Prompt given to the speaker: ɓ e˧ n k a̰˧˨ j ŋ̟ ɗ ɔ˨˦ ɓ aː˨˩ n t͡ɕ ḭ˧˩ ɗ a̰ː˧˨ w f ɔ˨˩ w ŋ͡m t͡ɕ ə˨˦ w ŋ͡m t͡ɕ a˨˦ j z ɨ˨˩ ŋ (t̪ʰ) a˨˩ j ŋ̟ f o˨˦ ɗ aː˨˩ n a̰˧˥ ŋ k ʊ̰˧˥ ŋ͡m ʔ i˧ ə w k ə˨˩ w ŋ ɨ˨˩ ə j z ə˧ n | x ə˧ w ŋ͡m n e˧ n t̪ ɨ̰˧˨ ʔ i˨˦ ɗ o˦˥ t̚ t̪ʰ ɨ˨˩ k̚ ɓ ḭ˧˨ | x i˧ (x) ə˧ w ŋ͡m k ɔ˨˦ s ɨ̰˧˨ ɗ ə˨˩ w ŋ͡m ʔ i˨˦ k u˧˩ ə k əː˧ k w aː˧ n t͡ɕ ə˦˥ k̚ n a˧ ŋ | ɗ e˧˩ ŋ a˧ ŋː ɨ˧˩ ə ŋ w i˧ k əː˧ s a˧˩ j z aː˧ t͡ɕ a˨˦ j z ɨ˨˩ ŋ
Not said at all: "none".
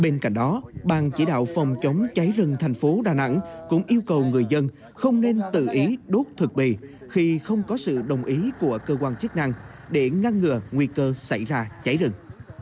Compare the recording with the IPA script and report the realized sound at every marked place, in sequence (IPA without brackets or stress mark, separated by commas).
t̪ʰ, x